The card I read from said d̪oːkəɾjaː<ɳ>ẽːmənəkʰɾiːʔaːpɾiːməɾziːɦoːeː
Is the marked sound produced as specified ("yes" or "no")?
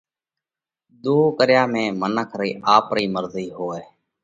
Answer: no